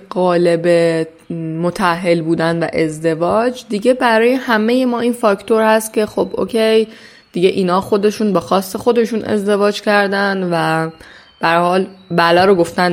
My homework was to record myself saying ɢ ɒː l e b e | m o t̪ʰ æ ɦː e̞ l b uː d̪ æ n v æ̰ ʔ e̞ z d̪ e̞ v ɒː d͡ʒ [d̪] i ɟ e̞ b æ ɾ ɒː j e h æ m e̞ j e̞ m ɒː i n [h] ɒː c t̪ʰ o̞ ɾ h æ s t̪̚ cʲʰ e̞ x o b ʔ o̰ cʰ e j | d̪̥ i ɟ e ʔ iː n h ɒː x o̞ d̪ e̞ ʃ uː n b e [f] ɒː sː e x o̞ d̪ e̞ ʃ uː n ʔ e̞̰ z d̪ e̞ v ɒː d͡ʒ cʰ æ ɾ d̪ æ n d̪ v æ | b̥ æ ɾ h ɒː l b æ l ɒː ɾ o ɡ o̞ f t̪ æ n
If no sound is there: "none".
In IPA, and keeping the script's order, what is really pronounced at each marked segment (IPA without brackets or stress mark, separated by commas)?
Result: d̪, f, x